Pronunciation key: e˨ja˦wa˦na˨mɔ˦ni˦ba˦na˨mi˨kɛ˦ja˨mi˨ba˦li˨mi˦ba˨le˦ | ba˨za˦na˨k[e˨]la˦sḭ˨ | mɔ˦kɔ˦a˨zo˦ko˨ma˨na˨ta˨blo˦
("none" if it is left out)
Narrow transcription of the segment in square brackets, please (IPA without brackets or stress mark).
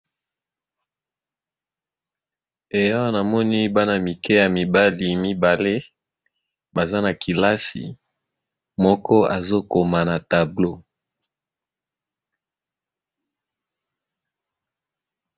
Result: i˨